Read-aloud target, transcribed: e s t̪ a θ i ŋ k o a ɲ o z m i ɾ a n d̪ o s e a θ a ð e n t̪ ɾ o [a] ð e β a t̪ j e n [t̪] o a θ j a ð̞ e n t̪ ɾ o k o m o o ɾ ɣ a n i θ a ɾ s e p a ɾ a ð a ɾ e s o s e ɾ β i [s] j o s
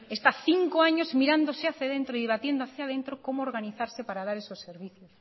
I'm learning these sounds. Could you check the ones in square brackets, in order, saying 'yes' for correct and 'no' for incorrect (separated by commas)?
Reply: no, no, no